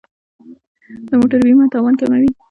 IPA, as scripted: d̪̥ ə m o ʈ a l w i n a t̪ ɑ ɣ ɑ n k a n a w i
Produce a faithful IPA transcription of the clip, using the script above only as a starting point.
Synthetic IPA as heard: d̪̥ ə m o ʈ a ɾ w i m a t̪ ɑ w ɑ n k a m a w i

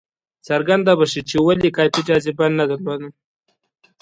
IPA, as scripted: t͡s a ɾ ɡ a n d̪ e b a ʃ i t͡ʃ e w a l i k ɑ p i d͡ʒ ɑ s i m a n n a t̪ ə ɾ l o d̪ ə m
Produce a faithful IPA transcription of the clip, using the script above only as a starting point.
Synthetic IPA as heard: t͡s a ɾ ɡ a n d̪ a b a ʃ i t͡ʃ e w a l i k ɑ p i d͡ʒ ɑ z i b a n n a d̪ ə ɾ l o d̪ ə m

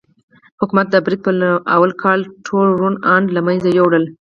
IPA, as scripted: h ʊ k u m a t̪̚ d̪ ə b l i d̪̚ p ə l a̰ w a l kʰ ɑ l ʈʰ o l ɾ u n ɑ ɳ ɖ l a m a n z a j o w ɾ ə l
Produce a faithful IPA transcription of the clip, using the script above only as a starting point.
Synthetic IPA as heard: h ʊ k u m a t̪̚ d̪ ə b ɾ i d̪̚ p ə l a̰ w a l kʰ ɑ l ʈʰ o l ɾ u n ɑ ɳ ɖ l a m a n z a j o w ɽ ə l

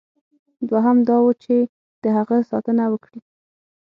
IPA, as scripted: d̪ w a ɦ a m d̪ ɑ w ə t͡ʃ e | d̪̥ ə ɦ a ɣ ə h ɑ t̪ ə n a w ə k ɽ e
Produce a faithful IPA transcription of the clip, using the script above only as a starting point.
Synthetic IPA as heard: d̪ w a ɦ a m d̪ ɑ w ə t͡ʃ e | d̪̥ ə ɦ a ɣ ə s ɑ t̪ ə n a w ə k ɽ i

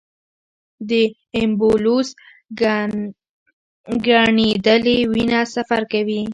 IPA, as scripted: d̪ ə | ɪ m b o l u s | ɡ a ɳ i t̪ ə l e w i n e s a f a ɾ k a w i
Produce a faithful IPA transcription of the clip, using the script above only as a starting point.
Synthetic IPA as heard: d̪ ə | ɪ m b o l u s | ɡ a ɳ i d̪ ə l e w i n a s a f a ɾ k a w i

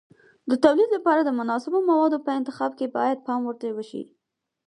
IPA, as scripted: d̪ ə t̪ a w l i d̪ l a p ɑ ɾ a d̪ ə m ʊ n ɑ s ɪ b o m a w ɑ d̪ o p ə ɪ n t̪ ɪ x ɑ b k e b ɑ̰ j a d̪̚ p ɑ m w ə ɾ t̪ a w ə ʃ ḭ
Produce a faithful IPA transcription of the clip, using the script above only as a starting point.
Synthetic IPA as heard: d̪ ə t̪ a w l i d̪ l a p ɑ ɾ a d̪ ə m ʊ n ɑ s ɪ b o m a w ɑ d̪ o p ə ɪ n t̪ ɪ x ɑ b k e b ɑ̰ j a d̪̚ p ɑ m w ə ɾ t̪ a w ə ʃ ḭ

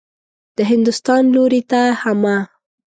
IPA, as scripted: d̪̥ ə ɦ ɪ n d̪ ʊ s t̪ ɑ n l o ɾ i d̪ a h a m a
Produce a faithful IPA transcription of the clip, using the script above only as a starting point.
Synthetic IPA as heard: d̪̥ ə ɦ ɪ n d̪ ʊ s t̪ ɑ n l o ɾ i t̪ a h a m a

